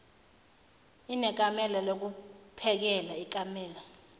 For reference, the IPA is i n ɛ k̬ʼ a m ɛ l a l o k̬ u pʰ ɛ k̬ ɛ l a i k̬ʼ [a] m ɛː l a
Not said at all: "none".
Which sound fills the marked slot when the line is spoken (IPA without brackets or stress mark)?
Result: a